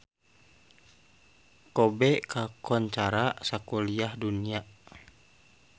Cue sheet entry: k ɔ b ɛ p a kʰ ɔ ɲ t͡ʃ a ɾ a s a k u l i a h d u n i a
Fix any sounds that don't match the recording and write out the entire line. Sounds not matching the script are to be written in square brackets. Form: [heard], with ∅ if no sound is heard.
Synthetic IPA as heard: k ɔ b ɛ [k] a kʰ ɔ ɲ t͡ʃ a ɾ a s a k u l i a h d u n i a